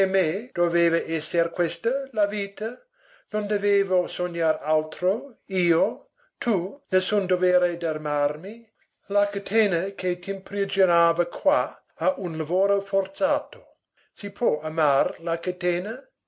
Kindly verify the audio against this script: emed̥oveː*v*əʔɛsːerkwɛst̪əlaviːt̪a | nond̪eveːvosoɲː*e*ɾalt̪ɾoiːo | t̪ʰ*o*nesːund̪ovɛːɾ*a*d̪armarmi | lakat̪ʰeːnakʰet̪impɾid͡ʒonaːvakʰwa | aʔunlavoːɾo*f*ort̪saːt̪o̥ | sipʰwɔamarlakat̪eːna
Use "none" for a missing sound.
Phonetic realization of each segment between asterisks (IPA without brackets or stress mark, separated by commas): v, a, u, e, f